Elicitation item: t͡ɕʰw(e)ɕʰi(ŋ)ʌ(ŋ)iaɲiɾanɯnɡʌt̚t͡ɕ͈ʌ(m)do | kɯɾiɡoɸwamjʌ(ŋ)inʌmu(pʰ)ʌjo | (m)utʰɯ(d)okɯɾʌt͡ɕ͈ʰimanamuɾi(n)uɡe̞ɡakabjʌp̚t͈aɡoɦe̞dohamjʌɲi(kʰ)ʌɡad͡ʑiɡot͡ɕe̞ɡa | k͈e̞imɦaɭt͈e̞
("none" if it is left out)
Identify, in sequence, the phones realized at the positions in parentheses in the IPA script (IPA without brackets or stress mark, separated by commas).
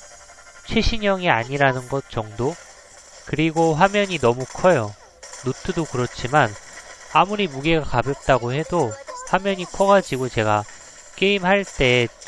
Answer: e, ɲ, ŋ, ŋ, ɲ, kʰ, n, d, m, kʰ